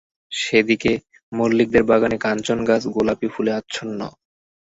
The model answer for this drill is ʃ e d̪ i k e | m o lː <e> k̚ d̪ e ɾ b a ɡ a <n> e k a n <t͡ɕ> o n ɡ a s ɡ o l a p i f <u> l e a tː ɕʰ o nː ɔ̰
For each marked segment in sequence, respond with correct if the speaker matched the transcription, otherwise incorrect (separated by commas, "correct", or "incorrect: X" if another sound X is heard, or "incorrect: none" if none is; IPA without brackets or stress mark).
incorrect: i, correct, correct, correct